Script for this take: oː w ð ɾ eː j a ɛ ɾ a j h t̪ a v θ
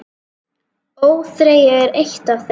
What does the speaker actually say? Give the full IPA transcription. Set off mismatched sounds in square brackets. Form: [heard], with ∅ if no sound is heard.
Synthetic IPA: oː w [θ] ɾ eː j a ɛ ɾ [e] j h t̪ a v θ

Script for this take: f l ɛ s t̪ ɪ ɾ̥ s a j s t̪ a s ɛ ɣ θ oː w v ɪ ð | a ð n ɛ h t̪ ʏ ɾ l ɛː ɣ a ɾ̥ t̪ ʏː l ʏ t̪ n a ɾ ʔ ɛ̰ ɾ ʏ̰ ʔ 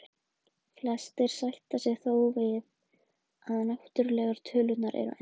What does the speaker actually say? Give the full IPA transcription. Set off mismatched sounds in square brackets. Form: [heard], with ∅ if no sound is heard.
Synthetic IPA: f l ɛ s t̪ ɪ ɾ̥ s a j [h] t̪ a s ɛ ɣ θ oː w v ɪ ð | a ð n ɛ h t̪ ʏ ɾ l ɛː ɣ a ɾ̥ [t̪ʰ] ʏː l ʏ t̪ n a ɾ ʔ ɛ̰ ɾ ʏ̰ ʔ

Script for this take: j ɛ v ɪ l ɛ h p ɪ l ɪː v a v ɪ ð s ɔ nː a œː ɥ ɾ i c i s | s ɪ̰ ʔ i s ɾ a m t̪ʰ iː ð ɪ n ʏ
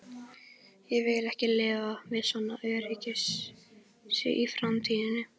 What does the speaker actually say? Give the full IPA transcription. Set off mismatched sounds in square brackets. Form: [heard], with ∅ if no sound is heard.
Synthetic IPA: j ɛ v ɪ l ɛ h [c] ɪ l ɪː v a v ɪ ð s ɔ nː a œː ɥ ɾ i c [ɪ] s | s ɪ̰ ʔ i [f] ɾ a m t̪ʰ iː ð ɪ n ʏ

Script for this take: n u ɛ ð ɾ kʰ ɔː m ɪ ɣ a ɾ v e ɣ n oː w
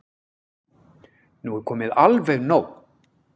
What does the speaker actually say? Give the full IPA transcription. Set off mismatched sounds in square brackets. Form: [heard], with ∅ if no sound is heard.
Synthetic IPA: n u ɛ [∅] ɾ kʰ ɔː m ɪ [ð] a [l] v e ɣ n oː w

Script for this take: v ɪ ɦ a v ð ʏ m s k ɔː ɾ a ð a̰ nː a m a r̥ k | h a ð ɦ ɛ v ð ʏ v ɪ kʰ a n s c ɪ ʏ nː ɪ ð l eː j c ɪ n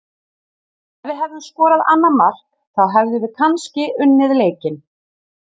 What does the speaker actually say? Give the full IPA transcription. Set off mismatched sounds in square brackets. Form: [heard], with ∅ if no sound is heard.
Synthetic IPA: v ɪ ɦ [ɛ] v ð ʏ m s k ɔː ɾ a ð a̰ nː a m a r̥ k | [θ] a ð ɦ ɛ v ð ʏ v ɪ kʰ a n s c ɪ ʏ nː ɪ ð l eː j c ɪ n

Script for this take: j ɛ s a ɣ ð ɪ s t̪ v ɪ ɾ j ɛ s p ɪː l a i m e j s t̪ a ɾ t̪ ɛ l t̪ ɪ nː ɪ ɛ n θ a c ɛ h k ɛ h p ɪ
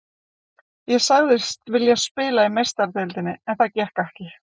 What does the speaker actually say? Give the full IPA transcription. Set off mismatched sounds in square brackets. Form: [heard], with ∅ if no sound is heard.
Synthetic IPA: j ɛ s a ɣ ð ɪ s t̪ v ɪ [l] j ɛ s p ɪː l a i m e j s t̪ a ɾ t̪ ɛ l t̪ ɪ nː ɪ ɛ n θ a c ɛ h k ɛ h [c] ɪ

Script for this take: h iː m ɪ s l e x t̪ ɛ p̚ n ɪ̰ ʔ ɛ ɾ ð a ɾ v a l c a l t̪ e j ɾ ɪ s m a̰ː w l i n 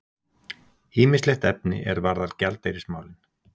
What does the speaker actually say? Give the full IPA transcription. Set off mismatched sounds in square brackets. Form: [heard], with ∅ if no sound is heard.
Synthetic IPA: h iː m ɪ s l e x t̪ ɛ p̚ n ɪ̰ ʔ ɛ ɾ [v] a ɾ [ð] a l c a l t̪ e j ɾ ɪ s m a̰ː w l [ɪ] n

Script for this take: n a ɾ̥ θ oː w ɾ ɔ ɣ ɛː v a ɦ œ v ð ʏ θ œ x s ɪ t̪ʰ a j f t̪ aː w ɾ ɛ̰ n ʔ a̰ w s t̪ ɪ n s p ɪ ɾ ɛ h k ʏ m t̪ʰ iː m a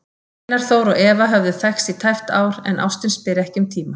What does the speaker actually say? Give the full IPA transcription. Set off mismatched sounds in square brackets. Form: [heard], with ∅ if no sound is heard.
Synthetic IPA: n a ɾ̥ θ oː w ɾ ɔ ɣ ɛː v a ɦ œ v ð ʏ θ [ɛ] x s [i] t̪ʰ a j f t̪ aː w ɾ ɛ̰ n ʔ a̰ w s t̪ ɪ n s p ɪ ɾ ɛ h [c] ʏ m t̪ʰ iː m a

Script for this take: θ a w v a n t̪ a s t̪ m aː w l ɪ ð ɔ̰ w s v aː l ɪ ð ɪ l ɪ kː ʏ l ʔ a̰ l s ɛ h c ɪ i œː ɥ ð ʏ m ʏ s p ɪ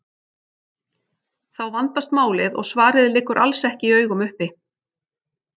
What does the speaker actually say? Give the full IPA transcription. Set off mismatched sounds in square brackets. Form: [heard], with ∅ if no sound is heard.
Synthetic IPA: θ a w v a n t̪ a s t̪ m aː w l ɪ ð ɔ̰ [ɣ] s v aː [ɾ] ɪ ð ɪ l ɪ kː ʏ [ɾ] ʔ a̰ l s ɛ h c ɪ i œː ɥ [ɣ] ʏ m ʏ [h] p ɪ

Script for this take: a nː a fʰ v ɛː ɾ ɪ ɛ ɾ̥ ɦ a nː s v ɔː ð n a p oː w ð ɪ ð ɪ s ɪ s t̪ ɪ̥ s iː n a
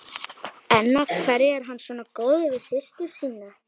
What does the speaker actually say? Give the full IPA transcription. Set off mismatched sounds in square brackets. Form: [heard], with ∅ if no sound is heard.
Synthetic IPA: [ɛ] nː a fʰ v [ɛ] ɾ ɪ ɛ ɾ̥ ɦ a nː s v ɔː [∅] n a [k] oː w ð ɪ [v] ɪ s ɪ s t̪ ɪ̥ s iː n a

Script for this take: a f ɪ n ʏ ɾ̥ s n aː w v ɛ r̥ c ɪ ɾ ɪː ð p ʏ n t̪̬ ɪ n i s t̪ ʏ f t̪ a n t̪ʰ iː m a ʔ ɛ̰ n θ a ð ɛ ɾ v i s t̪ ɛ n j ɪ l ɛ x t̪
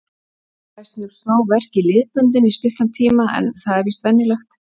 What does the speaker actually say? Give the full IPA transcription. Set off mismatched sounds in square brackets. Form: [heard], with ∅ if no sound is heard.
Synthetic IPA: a [s] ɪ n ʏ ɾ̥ s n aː w v ɛ r̥ c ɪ [l] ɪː ð p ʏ n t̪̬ ɪ n i s t̪ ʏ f t̪ a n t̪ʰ iː m a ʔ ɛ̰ n θ a ð ɛ ɾ v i s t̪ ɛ n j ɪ l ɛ x t̪

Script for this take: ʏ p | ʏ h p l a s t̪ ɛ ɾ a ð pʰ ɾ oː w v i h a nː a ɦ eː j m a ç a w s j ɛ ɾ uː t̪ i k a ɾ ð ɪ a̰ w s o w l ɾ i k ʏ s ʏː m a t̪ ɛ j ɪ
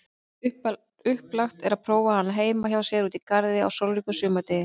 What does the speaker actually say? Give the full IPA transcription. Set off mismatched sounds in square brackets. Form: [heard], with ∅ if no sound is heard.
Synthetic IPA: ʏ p | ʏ h p l a [x] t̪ ɛ ɾ a ð pʰ ɾ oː w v [a] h a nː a ɦ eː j m a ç a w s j ɛ ɾ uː t̪ i k a ɾ ð ɪ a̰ w s o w l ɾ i k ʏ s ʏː m a t̪ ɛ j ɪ

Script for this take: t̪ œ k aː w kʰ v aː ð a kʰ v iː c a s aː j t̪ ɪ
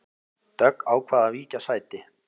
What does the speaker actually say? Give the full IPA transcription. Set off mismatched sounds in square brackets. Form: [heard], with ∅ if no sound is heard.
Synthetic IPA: t̪ œ k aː w kʰ v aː ð a [∅] v iː c a s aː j t̪ ɪ

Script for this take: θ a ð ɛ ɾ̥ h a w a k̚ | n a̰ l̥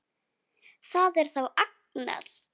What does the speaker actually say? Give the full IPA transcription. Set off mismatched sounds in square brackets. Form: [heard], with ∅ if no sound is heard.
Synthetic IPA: θ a ð ɛ ɾ̥ [θ] a w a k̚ | n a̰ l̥

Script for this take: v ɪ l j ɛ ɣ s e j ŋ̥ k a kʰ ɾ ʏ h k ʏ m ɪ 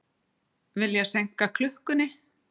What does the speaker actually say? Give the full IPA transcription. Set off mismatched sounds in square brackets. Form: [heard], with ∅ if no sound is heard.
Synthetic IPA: v ɪ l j ɛ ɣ s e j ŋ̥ k a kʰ [l] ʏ h k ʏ [n] ɪ

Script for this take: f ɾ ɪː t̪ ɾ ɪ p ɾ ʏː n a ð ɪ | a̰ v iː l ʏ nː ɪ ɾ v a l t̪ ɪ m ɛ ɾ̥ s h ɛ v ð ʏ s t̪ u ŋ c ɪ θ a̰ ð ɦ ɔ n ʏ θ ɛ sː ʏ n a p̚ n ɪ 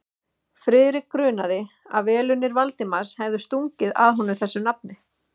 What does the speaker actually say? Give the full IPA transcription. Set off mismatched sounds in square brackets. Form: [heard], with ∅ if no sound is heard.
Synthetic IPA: f ɾ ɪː [∅] ɾ ɪ [k] ɾ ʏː n a ð ɪ | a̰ v [ɛː] l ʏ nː ɪ ɾ v a l t̪ ɪ m [a] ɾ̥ s h ɛ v ð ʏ s t̪ u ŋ c ɪ [ð] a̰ ð ɦ ɔ n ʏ θ ɛ sː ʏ n a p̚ n ɪ

